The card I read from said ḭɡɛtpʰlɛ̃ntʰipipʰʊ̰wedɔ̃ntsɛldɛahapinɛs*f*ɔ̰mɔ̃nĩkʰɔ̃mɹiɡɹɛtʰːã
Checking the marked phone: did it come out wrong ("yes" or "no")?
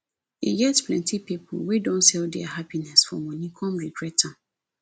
no